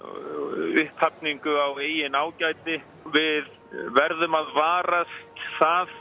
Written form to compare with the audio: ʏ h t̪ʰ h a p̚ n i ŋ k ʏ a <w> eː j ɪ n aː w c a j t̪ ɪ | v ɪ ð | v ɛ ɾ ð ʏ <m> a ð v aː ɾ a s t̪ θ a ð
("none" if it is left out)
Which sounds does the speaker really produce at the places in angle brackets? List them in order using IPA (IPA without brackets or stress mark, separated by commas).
w, m